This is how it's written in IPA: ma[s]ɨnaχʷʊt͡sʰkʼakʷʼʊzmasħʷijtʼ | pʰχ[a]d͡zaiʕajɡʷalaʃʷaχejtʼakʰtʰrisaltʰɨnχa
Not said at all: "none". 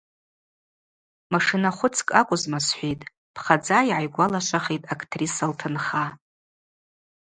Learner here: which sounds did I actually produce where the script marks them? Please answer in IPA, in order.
ʂ, a

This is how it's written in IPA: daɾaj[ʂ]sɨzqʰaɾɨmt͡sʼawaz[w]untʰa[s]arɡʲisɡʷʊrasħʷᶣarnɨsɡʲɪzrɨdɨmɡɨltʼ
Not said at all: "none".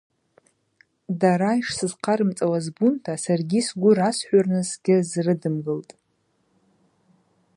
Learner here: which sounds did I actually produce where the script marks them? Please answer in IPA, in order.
ʂ, b, s

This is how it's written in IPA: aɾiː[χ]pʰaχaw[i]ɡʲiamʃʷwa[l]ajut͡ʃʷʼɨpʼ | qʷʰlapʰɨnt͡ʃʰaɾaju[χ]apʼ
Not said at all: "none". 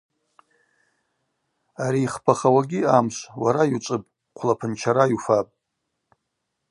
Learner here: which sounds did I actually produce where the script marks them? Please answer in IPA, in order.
χ, a, ɾ, f

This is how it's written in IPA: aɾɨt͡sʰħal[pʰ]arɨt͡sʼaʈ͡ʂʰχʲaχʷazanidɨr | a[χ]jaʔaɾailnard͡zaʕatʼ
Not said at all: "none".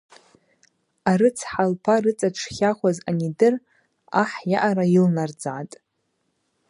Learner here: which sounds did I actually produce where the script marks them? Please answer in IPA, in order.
pʰ, ħ

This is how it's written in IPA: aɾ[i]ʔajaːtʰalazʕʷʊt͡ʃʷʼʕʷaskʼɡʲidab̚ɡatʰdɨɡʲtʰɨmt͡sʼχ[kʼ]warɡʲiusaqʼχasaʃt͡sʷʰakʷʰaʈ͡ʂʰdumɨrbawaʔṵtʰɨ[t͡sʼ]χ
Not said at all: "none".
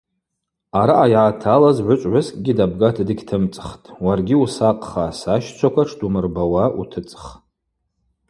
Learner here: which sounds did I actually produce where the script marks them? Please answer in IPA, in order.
a, tʼ, t͡sʼ

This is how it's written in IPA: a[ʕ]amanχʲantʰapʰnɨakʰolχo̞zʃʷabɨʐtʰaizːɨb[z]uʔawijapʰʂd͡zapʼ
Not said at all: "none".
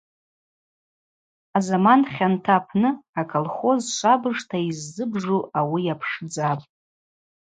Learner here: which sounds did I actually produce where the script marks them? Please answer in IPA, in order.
z, ʐ

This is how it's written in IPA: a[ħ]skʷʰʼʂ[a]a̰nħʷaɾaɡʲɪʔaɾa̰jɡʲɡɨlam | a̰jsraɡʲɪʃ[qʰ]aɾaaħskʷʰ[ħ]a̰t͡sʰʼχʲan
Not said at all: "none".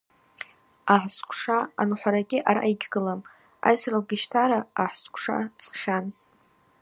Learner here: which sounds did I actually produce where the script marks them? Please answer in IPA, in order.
ħ, a, tʰ, ʂ

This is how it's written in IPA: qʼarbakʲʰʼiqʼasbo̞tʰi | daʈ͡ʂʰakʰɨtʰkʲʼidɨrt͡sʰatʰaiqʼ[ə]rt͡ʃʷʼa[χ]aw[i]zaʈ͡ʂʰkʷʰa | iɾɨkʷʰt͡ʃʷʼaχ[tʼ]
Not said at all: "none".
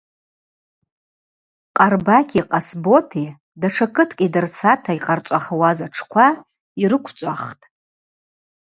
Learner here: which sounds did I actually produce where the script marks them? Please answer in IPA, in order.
a, χ, a, tʼ

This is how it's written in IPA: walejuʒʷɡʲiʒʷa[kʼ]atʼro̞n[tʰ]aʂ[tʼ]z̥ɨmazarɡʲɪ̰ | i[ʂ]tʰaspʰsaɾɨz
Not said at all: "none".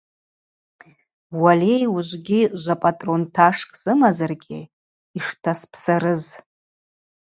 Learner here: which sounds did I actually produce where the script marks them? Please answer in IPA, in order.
pʼ, tʰ, kʼ, ʂ

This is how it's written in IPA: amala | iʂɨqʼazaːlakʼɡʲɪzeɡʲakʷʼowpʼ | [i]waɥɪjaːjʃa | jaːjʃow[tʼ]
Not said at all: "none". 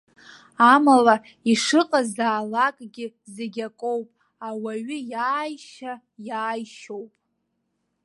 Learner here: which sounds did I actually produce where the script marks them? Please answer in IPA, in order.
a, pʼ

